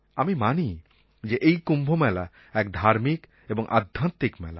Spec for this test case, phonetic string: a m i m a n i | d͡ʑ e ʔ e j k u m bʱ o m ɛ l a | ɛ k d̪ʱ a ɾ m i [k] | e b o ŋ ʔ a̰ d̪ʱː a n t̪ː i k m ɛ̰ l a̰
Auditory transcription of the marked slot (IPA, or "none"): k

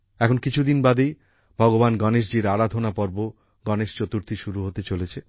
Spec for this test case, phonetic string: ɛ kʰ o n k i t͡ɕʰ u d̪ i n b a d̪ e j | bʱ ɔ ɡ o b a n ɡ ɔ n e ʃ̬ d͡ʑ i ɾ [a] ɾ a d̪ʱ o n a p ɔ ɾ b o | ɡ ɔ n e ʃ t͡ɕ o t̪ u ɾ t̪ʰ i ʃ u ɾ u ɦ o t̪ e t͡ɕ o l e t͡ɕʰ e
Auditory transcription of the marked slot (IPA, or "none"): a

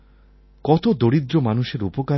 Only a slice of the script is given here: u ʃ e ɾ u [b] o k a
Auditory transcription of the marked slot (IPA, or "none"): p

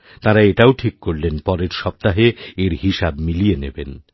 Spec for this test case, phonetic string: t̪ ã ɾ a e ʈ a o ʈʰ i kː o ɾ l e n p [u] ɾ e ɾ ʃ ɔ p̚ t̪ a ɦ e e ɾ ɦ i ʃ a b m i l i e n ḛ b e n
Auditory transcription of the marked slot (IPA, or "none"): ɔ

